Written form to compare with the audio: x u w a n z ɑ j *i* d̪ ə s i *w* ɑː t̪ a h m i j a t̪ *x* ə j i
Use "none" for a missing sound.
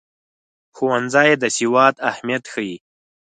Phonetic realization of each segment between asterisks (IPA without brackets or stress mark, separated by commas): e, w, x